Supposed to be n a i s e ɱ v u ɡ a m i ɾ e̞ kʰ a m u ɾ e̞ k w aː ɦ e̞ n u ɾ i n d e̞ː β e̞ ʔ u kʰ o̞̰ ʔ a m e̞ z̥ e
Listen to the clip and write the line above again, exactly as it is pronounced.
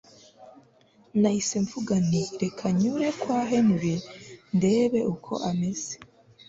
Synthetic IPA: n a i s e ɱ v u ɡ a n i ɾ e̞ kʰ a ɲ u ɾ e̞ k w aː ɦ e̞ n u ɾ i n d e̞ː β e̞ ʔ u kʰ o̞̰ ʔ a m e̞ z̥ e